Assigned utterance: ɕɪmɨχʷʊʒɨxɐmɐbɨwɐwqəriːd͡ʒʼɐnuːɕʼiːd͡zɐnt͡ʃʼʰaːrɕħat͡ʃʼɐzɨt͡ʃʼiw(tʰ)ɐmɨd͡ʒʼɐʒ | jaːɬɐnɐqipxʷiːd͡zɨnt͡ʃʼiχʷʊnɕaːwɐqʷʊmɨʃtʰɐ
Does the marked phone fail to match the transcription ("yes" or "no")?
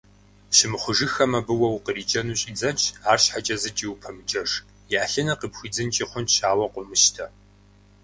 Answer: yes